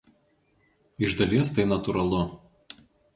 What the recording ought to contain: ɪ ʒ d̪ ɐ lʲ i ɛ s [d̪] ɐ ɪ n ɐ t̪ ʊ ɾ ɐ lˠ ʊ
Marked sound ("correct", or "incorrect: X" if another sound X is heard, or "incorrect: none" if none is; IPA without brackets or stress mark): incorrect: t̪